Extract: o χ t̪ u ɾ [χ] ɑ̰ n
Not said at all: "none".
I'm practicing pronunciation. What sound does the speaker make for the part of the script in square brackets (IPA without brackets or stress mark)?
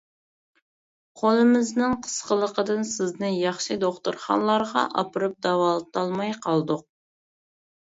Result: χ